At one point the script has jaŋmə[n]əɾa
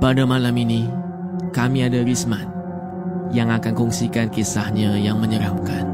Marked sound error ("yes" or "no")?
yes